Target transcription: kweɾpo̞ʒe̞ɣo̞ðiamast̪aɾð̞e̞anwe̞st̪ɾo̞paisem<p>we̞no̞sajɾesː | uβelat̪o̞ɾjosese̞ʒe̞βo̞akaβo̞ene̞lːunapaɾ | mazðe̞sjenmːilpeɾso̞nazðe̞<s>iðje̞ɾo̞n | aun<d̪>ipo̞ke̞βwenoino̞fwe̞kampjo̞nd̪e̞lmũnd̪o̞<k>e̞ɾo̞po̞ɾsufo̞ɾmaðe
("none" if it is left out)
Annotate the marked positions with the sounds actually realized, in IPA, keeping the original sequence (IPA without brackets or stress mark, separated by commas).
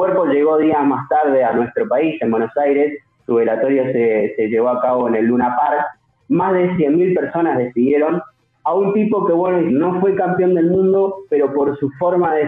b, s, t̪, p